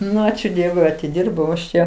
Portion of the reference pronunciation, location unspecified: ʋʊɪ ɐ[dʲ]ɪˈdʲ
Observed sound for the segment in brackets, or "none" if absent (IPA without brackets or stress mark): tʲ